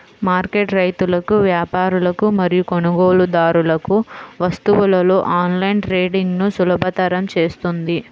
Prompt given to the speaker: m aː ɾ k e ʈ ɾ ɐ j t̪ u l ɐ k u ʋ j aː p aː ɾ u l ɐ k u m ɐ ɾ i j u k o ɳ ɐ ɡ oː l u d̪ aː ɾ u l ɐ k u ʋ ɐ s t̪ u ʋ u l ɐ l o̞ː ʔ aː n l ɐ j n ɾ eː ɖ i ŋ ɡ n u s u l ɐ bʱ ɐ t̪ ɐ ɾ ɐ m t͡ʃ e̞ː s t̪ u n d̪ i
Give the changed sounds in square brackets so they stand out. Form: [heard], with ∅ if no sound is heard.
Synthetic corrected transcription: m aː ɾ k e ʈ ɾ ɐ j t̪ u l ɐ k u ʋ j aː p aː ɾ u l ɐ k u m ɐ ɾ i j u k o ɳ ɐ ɡ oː l u d̪ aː ɾ u l ɐ k u ʋ ɐ s t̪ u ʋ u l ɐ l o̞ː ʔ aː n l ɐ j n ɾ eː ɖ i ŋ ɡ n u s u l ɐ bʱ ɐ t̪ ɐ ɾ ɐ m t͡ʃ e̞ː s t̪ u n d̪ i